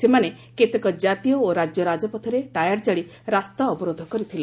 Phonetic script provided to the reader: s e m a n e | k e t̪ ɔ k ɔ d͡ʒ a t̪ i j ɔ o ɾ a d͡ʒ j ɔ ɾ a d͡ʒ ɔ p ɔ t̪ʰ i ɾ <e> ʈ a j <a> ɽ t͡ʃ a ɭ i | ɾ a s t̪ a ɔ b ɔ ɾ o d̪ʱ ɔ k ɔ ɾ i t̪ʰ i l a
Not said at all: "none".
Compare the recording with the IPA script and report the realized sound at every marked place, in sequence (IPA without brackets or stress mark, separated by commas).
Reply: e, a